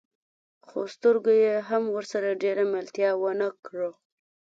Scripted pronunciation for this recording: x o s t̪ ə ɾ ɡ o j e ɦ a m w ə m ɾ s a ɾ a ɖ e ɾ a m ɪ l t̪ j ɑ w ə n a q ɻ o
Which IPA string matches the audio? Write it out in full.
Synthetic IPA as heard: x o s t̪ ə ɾ ɡ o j e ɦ a m w ə ɾ s a ɾ a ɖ e ɾ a m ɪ l t̪ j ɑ w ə n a k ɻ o